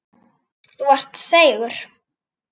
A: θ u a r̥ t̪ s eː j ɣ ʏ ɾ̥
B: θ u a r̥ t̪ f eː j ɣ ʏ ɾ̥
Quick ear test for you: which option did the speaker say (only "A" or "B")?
A